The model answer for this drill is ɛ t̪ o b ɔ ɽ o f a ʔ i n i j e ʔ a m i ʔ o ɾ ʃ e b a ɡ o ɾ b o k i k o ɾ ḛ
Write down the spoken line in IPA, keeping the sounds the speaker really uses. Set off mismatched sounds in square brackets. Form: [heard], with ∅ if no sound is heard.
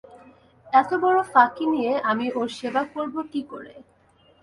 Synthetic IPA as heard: ɛ t̪ o b ɔ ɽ o f a [k] i n i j e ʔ a m i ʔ o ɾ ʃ e b a [k] o ɾ b o k i k o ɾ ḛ